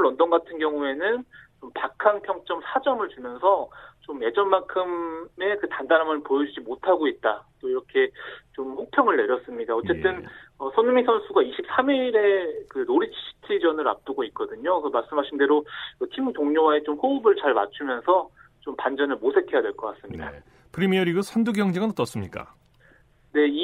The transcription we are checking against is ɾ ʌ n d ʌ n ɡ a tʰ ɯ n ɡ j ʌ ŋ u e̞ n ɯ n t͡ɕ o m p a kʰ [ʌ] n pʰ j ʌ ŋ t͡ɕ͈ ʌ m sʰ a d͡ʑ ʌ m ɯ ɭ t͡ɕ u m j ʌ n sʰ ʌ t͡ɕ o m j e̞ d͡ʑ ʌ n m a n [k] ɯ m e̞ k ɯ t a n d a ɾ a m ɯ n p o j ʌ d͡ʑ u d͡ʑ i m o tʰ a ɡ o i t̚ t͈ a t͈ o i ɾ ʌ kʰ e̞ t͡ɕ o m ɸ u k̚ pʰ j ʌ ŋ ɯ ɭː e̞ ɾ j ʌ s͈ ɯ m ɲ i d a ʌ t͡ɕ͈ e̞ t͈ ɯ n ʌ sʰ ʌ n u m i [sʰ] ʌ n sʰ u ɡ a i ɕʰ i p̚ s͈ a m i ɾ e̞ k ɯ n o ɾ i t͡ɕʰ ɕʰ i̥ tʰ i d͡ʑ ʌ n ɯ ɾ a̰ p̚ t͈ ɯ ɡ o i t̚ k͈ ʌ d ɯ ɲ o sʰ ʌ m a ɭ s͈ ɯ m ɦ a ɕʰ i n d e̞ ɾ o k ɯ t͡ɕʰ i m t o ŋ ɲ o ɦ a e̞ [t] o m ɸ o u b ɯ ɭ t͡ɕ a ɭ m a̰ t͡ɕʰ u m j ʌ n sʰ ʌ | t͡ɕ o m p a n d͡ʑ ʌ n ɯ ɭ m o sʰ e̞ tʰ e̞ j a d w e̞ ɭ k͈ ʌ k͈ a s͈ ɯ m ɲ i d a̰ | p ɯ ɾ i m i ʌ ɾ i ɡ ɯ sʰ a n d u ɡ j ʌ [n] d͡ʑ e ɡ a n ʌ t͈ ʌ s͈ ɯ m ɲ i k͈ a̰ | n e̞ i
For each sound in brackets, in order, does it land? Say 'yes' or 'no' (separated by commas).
no, no, yes, no, no